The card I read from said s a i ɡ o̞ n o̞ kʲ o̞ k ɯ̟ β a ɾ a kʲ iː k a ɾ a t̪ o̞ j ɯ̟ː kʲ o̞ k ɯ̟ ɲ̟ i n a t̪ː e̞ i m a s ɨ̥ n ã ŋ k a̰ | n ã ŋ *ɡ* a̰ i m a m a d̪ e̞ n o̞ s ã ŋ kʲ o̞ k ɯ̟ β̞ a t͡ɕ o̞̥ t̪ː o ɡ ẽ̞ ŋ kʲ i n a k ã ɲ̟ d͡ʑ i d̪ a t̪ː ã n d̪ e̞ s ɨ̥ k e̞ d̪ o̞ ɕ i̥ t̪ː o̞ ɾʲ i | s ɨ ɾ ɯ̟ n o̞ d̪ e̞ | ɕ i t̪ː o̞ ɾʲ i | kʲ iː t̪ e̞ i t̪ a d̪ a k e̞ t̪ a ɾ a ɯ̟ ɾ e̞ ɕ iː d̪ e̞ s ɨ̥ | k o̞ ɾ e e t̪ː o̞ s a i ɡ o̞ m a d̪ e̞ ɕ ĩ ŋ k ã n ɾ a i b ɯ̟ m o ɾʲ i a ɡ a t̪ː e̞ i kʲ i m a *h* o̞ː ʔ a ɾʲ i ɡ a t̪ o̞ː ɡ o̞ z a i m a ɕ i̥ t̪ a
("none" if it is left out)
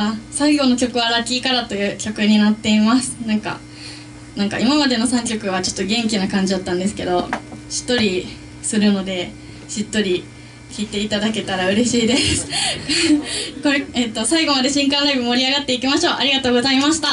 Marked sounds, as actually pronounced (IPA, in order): k, ɕ

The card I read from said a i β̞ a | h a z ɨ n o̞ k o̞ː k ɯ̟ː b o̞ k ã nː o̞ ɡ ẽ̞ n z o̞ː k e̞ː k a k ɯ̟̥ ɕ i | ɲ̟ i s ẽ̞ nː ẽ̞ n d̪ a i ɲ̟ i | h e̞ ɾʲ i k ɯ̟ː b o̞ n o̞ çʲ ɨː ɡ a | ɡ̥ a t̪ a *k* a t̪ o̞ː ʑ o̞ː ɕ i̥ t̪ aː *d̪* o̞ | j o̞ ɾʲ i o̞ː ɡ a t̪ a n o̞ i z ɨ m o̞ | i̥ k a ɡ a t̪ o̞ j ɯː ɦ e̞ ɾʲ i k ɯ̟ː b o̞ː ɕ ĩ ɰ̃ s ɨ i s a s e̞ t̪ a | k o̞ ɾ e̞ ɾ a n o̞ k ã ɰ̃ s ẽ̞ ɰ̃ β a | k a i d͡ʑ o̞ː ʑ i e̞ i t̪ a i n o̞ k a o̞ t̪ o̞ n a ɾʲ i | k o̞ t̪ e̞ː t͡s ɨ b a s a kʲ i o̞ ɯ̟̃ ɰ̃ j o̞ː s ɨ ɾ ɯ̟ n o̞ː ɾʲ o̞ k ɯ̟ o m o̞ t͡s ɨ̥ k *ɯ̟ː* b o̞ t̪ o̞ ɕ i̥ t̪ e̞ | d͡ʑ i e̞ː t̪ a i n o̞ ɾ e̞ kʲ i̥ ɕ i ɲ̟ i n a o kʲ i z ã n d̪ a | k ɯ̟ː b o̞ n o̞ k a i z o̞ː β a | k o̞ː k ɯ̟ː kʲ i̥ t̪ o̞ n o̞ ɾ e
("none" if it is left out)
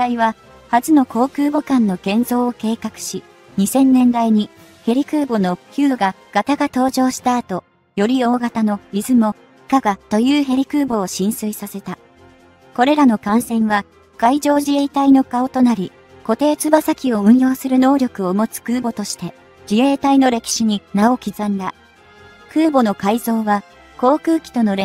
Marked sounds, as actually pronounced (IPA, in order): ɡ, t̪, ɯ̟ː

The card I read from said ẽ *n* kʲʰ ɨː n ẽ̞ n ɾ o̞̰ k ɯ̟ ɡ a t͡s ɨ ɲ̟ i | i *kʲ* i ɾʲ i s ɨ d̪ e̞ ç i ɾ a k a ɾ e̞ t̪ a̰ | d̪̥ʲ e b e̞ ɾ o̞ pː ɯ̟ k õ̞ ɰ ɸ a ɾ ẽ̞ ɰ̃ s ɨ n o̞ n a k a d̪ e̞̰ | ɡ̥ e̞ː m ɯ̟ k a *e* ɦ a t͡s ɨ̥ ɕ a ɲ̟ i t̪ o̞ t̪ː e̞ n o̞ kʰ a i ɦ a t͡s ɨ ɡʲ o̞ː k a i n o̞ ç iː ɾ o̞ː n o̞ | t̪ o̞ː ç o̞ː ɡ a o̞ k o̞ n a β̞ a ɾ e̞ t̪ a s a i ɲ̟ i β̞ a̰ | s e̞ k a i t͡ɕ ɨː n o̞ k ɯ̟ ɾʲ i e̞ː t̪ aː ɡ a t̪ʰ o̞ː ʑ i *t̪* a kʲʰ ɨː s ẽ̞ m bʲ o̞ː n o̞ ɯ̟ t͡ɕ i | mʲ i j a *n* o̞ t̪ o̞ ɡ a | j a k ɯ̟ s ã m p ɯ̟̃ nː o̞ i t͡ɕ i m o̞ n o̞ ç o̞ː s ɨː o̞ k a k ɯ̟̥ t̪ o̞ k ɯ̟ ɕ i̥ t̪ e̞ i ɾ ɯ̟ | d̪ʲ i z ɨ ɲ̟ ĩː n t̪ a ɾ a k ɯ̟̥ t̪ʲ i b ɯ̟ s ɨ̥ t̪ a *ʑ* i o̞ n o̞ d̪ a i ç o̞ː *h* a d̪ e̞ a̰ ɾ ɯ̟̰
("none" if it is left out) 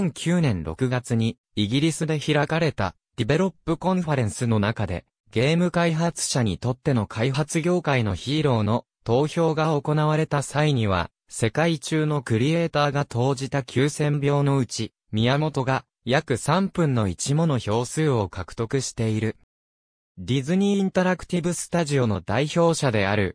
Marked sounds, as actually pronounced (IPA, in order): ŋ, ɡʲ, i, t̪, m, ʑ, ɕ

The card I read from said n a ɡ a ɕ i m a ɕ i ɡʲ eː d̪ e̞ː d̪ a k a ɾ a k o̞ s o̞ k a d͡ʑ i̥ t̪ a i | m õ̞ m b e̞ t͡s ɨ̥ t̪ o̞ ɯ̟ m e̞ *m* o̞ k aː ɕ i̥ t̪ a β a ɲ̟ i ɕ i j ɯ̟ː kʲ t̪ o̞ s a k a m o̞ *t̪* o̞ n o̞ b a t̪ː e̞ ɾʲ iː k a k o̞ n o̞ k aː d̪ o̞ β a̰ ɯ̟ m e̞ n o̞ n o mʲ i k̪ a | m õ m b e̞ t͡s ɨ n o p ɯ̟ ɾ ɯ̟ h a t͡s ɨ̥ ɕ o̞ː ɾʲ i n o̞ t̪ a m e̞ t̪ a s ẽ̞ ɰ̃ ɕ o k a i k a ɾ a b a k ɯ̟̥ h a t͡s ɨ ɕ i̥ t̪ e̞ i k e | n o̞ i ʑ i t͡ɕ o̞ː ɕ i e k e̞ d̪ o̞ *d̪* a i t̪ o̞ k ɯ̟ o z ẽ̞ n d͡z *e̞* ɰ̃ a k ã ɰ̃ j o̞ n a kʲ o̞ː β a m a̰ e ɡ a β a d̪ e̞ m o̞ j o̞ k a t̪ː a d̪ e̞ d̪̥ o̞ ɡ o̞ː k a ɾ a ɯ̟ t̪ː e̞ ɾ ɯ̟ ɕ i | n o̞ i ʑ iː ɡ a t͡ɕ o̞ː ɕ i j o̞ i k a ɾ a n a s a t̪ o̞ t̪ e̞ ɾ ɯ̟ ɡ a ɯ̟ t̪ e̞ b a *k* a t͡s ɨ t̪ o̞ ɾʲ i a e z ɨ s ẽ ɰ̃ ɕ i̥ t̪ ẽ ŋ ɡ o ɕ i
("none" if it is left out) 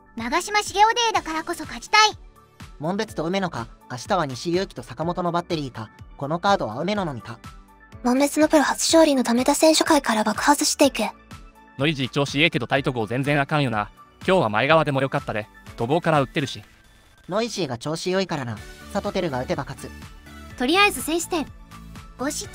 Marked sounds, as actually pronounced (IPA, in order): n, t̪, t̪, ẽ̞, k

